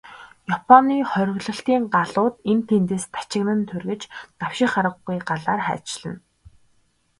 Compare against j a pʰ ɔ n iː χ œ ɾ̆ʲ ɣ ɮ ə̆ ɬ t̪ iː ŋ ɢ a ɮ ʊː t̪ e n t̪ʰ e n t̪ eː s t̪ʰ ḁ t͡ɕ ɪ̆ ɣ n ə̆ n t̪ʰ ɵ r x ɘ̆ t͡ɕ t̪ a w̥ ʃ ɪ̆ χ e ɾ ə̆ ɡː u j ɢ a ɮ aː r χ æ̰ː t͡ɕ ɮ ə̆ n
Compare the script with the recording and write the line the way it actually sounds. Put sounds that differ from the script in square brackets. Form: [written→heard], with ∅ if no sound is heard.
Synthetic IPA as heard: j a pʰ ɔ n iː χ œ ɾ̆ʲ ɣ ɮ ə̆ ɬ t̪ iː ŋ ɢ a ɮ ʊː t̪ e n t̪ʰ e n t̪ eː s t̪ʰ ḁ t͡ɕ ɪ̆ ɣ n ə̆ n t̪ʰ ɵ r [x→ɣ] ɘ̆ t͡ɕ t̪ a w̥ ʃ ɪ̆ χ [e→a] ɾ ə̆ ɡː u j ɢ a ɮ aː r χ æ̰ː t͡ɕ ɮ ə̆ n